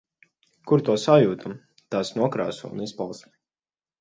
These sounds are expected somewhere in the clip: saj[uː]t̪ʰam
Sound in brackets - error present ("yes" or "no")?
no